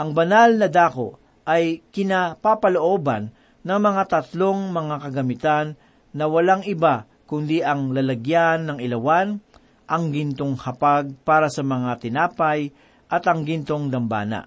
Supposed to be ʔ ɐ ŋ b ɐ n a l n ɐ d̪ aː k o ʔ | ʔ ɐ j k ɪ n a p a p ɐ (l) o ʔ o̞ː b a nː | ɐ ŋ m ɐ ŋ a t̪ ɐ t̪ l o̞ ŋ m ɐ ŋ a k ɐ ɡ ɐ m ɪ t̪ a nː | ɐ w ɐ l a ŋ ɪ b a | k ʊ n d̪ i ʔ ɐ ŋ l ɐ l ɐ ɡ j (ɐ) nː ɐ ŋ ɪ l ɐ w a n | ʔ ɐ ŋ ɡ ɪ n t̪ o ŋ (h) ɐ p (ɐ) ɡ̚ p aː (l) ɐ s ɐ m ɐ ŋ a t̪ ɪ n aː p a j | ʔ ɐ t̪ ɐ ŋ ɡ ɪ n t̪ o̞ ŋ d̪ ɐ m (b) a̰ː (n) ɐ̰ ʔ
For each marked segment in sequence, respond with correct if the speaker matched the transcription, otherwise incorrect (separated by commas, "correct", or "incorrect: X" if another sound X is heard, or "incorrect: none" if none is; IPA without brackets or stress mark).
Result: correct, incorrect: a, correct, incorrect: a, incorrect: ɾ, correct, correct